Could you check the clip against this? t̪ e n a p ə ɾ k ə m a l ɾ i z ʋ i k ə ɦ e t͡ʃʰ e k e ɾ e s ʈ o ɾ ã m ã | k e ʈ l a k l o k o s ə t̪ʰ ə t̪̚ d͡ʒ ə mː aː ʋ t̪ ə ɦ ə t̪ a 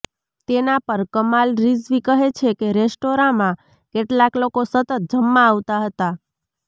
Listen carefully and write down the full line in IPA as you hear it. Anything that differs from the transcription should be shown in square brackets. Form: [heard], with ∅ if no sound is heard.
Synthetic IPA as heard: t̪ e n a p ə ɾ k ə m a l ɾ i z ʋ i k ə ɦ e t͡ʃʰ e k e ɾ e s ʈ o ɾ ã m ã | k e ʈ l a k l o k o s ə [t̪] ə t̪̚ d͡ʒ ə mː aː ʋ t̪ [a] ɦ ə t̪ a